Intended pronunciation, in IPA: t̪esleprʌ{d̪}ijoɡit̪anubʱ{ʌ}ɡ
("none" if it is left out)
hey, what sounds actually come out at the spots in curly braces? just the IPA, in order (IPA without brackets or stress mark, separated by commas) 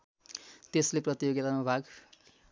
t̪, a